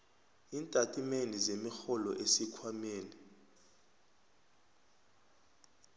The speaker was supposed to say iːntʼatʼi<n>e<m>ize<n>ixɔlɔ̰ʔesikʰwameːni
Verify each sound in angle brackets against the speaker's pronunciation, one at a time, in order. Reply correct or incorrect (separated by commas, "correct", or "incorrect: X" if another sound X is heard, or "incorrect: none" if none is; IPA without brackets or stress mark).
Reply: incorrect: m, incorrect: n, incorrect: m